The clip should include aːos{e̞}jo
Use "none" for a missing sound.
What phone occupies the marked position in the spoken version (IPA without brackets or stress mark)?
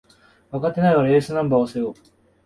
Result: e̞